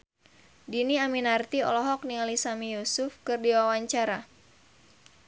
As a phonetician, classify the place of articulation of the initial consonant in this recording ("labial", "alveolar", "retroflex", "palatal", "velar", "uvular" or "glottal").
alveolar